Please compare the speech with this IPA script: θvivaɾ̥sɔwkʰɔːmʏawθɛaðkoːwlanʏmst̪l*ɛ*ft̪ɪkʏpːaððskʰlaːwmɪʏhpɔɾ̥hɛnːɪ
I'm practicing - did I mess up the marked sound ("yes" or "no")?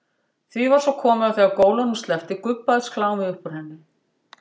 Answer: no